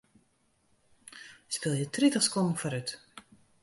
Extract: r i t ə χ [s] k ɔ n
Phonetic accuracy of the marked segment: correct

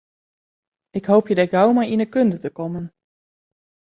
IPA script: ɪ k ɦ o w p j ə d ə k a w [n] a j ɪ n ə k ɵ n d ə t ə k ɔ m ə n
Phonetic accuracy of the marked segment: incorrect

